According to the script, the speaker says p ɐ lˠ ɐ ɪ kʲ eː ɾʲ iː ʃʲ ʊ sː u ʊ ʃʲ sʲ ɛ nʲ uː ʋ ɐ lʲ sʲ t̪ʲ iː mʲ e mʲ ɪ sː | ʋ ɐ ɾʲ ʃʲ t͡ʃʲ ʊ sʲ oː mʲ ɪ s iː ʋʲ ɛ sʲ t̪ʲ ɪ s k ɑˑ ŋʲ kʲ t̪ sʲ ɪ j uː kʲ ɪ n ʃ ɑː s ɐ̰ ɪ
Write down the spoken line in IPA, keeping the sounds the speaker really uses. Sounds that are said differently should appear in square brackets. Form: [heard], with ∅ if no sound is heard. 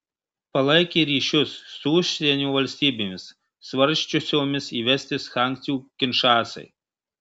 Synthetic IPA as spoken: p ɐ lˠ ɐ ɪ kʲ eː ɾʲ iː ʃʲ ʊ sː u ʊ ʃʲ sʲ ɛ nʲ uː ʋ ɐ lʲ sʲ t̪ʲ iː [bʲ] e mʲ ɪ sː | ʋ ɐ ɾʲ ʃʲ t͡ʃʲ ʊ sʲ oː mʲ ɪ s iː ʋʲ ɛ sʲ t̪ʲ ɪ s [x] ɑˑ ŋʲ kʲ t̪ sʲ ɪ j uː kʲ ɪ n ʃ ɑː s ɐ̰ ɪ